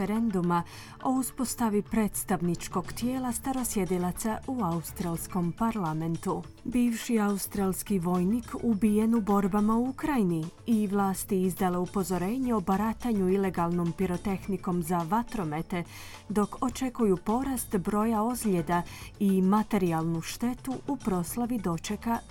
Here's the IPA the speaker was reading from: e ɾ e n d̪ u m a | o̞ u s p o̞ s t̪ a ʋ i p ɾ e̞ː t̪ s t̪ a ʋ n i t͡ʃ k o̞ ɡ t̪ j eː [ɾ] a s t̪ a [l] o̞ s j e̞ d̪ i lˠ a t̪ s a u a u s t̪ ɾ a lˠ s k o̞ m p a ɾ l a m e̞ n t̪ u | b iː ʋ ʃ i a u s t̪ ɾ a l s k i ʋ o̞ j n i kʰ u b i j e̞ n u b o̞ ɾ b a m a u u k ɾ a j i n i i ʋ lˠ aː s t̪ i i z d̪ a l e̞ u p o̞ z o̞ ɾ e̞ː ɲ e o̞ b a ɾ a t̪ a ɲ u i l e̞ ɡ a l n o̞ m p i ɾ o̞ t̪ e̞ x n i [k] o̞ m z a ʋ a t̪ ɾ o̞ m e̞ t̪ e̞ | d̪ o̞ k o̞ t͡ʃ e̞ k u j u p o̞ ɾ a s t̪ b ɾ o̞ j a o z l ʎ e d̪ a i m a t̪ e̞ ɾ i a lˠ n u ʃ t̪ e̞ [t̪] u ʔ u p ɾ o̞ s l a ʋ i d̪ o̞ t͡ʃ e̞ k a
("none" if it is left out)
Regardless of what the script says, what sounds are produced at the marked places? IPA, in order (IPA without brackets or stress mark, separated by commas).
l, ɾ, k, t̪